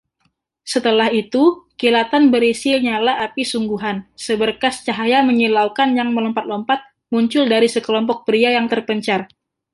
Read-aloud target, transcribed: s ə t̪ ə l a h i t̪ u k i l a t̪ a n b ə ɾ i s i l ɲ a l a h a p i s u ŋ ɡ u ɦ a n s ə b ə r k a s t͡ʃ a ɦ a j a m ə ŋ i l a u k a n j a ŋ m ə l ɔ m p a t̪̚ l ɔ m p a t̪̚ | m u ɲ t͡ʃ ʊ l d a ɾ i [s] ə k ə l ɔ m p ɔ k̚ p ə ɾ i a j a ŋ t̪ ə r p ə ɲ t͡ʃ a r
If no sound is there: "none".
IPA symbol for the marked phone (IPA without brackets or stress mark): s